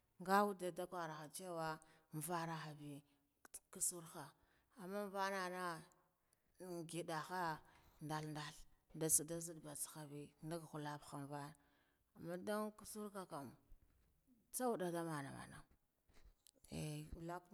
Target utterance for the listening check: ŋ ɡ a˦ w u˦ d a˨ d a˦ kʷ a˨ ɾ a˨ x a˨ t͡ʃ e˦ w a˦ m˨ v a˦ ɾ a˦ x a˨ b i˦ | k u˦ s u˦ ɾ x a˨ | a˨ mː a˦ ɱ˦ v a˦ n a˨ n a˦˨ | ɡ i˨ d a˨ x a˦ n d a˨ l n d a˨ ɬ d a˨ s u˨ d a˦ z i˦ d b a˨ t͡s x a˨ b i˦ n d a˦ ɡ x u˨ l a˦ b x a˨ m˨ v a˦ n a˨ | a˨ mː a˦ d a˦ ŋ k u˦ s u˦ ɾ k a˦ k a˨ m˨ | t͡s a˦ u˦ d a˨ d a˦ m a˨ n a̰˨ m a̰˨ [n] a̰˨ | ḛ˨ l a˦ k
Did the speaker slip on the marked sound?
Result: no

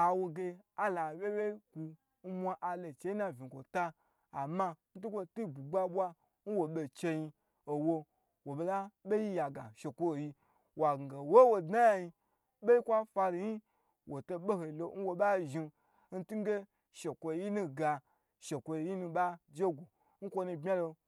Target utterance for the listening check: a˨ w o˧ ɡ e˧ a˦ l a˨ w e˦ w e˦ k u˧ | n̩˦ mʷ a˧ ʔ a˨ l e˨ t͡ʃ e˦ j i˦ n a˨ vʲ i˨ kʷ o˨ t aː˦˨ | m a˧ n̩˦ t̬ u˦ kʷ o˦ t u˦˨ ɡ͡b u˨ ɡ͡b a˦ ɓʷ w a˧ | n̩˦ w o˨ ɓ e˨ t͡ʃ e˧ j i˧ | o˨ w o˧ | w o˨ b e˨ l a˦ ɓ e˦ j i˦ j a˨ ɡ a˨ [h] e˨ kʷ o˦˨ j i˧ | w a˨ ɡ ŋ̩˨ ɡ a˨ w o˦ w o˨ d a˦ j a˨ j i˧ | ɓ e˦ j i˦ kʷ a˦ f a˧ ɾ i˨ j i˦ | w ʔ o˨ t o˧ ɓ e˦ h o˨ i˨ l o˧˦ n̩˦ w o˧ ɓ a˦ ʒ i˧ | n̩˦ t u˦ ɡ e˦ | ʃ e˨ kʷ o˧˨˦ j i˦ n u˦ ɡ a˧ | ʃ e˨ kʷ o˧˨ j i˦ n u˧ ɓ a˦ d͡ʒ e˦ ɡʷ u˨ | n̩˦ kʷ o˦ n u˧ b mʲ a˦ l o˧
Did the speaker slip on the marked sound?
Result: yes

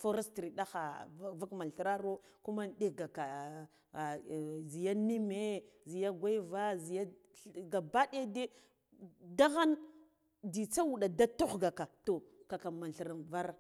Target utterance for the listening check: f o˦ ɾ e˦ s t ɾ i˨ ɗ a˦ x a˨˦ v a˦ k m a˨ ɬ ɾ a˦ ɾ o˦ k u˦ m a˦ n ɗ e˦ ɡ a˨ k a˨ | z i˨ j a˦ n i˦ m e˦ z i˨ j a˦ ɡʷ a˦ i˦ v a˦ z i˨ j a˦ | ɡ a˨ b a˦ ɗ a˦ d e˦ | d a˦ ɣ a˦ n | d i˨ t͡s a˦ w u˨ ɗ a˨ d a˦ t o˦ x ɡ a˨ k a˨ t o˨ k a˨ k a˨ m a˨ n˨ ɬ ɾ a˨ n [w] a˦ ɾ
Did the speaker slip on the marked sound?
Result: yes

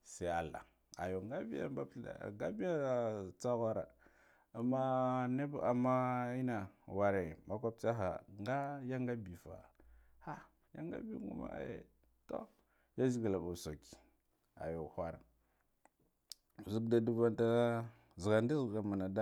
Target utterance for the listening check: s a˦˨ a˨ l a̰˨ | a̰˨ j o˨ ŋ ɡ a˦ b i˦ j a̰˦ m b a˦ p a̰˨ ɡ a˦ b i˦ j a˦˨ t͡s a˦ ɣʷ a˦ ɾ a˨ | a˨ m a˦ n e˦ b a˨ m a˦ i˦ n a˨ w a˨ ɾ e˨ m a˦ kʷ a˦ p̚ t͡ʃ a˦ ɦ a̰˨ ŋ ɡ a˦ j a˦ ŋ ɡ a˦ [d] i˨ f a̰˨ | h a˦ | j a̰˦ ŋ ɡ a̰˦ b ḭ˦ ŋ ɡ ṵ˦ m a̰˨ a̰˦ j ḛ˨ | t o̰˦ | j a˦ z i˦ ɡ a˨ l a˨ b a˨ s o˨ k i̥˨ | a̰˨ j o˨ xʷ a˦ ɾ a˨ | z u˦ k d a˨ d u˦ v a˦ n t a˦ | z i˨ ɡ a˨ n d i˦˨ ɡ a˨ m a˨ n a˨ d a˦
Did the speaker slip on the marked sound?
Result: yes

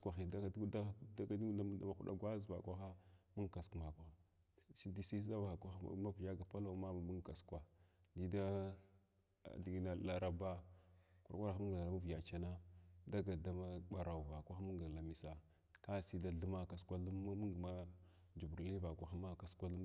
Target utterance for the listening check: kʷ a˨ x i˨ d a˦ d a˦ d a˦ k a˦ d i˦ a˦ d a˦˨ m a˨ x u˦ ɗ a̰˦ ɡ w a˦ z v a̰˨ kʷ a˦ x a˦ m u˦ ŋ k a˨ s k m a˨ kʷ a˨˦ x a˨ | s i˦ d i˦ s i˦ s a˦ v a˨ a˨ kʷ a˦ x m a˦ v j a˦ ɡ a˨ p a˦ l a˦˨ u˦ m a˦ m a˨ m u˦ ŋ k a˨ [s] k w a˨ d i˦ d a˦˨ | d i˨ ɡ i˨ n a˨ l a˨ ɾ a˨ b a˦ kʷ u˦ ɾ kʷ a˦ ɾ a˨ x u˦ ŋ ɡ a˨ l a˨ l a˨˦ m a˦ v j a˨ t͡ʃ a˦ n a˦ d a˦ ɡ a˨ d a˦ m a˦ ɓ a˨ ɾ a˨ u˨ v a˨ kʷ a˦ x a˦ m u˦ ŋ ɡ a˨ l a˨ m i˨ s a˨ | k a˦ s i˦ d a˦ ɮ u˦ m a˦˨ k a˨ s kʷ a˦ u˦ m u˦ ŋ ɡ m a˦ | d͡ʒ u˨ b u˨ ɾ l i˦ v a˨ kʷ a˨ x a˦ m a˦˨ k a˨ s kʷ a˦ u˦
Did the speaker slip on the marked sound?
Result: no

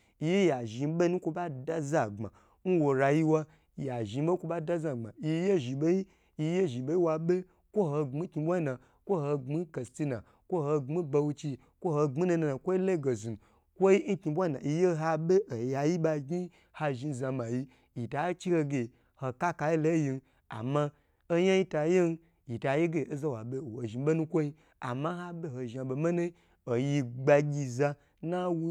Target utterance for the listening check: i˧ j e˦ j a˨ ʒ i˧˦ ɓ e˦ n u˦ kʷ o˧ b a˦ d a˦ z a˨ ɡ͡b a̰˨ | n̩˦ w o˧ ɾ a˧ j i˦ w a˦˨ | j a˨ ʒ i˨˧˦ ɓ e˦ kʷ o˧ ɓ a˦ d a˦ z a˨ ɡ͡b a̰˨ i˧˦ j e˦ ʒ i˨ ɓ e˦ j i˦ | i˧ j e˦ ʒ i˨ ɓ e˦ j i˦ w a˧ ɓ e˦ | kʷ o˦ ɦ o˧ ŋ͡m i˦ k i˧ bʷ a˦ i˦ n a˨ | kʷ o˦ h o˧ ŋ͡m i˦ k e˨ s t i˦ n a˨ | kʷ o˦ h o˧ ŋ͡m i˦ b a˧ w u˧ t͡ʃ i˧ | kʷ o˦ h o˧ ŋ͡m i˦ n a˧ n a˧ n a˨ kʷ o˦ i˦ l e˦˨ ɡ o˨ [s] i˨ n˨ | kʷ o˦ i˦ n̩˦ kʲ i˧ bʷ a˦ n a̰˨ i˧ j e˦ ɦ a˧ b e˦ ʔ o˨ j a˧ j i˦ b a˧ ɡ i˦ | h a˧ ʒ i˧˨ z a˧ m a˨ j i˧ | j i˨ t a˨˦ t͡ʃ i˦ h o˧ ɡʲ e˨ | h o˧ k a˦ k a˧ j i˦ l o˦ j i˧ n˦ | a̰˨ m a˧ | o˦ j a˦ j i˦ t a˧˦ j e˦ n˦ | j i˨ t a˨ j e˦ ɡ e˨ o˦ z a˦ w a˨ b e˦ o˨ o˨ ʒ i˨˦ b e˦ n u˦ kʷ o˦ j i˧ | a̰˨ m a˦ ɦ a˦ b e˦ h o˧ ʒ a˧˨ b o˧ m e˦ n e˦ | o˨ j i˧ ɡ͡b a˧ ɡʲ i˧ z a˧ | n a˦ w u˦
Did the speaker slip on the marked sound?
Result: yes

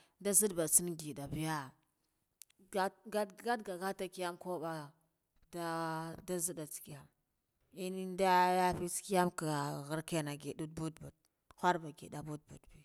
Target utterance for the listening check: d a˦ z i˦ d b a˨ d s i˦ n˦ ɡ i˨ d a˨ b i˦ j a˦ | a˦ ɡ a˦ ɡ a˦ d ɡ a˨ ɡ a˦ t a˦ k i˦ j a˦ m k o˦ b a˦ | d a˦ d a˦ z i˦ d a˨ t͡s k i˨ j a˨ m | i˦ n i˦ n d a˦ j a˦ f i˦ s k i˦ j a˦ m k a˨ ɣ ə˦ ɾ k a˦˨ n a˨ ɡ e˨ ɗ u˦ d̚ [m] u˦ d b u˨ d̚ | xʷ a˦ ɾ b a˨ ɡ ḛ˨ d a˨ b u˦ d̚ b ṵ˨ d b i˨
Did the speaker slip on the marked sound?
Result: yes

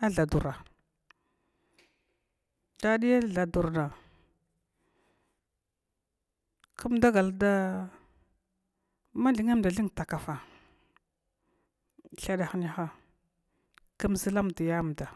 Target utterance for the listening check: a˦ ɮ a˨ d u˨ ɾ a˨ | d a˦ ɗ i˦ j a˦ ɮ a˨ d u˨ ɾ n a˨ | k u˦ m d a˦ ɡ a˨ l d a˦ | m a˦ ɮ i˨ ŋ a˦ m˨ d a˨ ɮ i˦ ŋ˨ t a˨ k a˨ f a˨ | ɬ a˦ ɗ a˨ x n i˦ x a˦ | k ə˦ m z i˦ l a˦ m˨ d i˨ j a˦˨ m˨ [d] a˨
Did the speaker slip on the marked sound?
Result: no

